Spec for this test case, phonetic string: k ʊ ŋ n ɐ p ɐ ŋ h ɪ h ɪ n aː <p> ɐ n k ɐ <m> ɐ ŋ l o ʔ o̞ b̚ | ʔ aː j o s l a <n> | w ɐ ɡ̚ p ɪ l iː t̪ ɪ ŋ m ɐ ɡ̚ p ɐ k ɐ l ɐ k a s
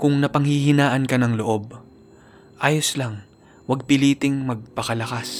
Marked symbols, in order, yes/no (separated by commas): no, no, no